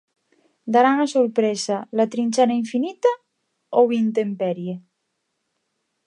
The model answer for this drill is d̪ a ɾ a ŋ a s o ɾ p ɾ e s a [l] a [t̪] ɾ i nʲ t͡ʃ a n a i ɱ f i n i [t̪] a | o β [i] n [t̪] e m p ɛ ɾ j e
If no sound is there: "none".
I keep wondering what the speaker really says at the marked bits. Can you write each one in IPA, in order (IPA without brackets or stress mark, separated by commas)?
l, t̪, t̪, i, t̪